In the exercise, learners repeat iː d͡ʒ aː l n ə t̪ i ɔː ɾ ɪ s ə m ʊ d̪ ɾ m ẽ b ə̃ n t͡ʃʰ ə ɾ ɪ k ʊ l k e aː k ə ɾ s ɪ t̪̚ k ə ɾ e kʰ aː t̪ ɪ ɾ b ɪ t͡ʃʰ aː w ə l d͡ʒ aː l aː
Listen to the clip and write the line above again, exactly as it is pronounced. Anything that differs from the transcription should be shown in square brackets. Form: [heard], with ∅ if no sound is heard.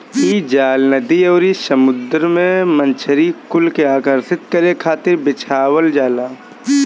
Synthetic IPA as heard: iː d͡ʒ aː l n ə [d̪] i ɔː ɾ [i] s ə m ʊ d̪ ɾ m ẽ [m] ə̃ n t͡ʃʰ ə ɾ [i] k ʊ l k e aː k ə ɾ s ɪ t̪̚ k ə ɾ e kʰ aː t̪ ɪ ɾ b ɪ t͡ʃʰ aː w ə l d͡ʒ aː l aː

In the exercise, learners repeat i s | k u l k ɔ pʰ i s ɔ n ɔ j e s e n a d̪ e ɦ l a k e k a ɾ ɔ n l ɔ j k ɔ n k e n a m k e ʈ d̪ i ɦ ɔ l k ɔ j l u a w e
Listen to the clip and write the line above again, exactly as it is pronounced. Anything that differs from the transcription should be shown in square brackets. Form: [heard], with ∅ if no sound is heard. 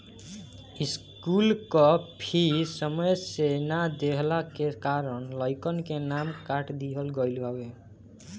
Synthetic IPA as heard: i s | k u l k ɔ pʰ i s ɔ [m] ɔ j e s e n a d̪ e ɦ l a k e k a ɾ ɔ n l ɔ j k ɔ n k e n a m k [a] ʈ d̪ i ɦ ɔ l [ɡ] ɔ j l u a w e

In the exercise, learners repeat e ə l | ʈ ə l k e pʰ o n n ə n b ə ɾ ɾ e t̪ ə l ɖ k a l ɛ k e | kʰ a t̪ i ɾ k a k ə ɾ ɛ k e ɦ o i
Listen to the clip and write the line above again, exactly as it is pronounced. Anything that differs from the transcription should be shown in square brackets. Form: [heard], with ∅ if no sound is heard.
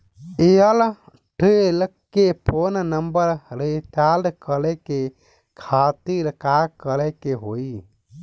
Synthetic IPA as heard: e ə l | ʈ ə l k e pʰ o n n ə [m] b ə ɾ ɾ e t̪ [a] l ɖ k [ə] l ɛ k e | kʰ a t̪ i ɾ k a k ə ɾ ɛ k e ɦ o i

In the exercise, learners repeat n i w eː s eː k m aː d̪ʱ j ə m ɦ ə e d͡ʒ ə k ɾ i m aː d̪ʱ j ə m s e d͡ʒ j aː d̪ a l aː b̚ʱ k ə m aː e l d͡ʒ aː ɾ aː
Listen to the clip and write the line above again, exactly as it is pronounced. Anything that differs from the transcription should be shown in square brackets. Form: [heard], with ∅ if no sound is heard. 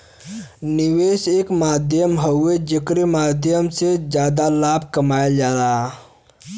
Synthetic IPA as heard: n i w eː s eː k m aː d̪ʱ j ə m ɦ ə e d͡ʒ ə k ɾ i m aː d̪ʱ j ə m s e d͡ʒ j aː d̪ a l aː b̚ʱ k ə m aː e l d͡ʒ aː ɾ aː

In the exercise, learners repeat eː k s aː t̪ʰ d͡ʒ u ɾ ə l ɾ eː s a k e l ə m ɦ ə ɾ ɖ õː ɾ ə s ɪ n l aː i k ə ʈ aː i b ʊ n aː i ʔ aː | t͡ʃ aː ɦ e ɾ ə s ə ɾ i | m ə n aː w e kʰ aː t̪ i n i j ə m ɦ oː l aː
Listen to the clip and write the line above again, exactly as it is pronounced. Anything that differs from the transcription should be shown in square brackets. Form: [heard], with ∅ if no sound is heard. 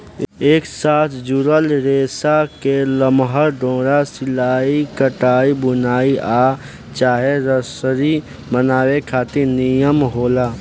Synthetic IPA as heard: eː k s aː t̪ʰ d͡ʒ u ɾ ə l ɾ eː s a k e l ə m ɦ ə ɾ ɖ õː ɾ [a] s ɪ [∅] l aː i k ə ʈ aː i b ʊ n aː i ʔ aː | t͡ʃ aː ɦ e ɾ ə s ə ɾ i | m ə n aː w e kʰ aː t̪ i n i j ə m ɦ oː l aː

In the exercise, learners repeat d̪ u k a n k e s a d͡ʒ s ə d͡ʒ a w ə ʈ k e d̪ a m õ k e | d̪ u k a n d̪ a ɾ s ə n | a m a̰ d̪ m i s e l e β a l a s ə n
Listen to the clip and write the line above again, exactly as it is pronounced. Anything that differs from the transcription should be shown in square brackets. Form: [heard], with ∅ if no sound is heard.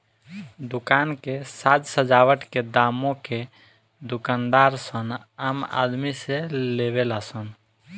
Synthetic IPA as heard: d̪ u k a n k e s a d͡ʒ s ə d͡ʒ a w ə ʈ k e d̪ a m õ k e | d̪ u k a n d̪ a ɾ s ə n | a m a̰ d̪ m i s e l e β [e] l a s ə n

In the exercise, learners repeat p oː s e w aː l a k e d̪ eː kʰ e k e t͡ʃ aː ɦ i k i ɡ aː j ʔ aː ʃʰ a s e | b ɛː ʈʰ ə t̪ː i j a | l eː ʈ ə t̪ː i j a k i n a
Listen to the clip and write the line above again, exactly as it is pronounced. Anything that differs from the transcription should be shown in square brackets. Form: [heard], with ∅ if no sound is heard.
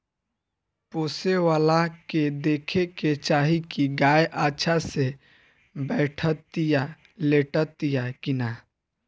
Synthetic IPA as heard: p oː s e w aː l a k e d̪ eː kʰ e k e t͡ʃ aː ɦ i k i ɡ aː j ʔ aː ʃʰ a s e | b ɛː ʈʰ ə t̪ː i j a | l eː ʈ ə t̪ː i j a k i n a

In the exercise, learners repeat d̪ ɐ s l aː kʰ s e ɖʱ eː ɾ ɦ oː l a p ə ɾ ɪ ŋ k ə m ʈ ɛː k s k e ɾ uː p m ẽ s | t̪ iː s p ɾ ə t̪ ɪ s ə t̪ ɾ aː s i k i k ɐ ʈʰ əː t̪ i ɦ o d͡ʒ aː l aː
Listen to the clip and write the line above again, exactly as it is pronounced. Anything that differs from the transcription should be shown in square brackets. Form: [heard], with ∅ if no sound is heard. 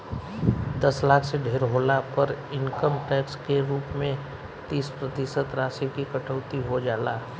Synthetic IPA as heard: d̪ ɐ s l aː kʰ s e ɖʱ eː ɾ ɦ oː l a p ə ɾ ɪ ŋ k ə m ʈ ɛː k s k e ɾ uː p m ẽ [∅] | t̪ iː s p ɾ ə t̪ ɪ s ə t̪ ɾ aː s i k i k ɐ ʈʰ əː t̪ i ɦ o d͡ʒ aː l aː

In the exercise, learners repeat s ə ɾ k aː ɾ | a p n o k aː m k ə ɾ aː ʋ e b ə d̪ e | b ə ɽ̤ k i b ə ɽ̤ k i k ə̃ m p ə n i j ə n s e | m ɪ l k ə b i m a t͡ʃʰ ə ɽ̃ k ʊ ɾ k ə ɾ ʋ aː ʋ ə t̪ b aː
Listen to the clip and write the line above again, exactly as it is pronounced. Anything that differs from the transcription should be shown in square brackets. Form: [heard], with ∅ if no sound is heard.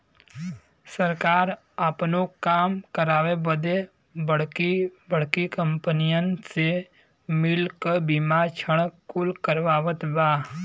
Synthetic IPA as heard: s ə ɾ k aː ɾ | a p n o k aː m k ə ɾ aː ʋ e b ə d̪ e | b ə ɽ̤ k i b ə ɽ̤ k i k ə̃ m p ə n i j ə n s e | m ɪ l k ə b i m a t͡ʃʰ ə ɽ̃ k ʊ [l] k ə ɾ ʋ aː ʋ ə t̪ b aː

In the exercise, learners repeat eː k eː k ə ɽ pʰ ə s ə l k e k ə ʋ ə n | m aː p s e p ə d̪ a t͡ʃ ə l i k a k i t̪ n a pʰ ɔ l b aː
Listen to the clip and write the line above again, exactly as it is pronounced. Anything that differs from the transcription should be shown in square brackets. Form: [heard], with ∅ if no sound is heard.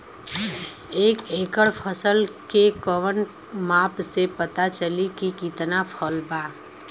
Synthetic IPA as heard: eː k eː k ə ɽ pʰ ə s ə l k e k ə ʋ ə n | m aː p s e p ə [t̪] a t͡ʃ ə l i k [i] k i t̪ n a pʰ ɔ l b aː

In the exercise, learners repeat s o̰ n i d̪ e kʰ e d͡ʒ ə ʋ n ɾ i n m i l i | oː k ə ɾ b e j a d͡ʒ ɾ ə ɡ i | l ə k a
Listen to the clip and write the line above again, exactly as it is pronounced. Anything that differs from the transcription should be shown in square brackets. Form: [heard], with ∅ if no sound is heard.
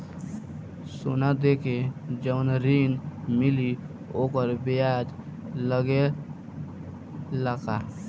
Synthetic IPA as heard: s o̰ n [a] d̪ e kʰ e d͡ʒ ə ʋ n ɾ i n m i l i | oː k ə ɾ b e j a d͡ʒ [l] ə ɡ [e] | l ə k a

